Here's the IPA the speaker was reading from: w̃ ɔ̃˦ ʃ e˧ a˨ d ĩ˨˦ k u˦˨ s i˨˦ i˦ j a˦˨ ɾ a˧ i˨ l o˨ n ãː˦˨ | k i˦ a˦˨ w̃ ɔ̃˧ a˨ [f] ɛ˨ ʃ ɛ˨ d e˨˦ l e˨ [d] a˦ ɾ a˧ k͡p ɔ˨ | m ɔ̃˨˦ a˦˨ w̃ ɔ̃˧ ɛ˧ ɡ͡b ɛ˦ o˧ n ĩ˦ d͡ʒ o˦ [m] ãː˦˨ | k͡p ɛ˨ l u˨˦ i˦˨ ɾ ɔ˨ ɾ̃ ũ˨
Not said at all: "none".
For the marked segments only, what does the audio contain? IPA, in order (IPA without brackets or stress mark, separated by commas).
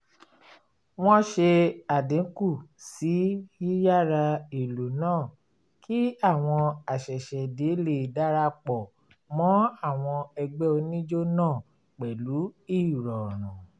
ʃ, d, n